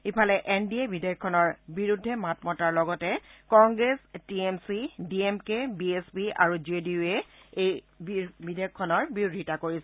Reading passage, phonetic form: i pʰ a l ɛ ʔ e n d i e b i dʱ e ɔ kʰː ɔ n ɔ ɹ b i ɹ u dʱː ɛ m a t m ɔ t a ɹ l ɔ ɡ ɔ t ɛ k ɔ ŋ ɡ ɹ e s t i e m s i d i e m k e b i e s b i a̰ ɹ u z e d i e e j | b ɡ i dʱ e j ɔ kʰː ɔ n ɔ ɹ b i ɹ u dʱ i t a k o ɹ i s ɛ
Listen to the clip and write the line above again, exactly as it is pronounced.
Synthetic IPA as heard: i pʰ a l ɛ ʔ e n d i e b i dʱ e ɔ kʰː ɔ n ɔ ɹ b i ɹ u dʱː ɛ m a t m ɔ t a ɹ l ɔ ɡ ɔ t ɛ k ɔ ŋ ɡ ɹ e s t i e m s i d i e m k e b i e s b i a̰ ɹ u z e d i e e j | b b i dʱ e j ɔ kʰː ɔ n ɔ ɹ b i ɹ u dʱ i t a k o ɹ i s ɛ